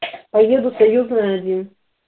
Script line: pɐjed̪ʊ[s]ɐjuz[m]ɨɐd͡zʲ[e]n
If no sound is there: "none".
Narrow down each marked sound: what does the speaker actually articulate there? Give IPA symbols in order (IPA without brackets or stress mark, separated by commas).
s, n, i